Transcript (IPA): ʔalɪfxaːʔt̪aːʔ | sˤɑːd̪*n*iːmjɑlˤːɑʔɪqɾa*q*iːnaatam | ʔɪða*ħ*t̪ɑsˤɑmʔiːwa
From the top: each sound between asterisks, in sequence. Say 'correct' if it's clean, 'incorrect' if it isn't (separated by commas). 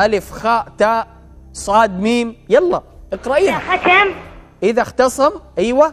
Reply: incorrect, incorrect, incorrect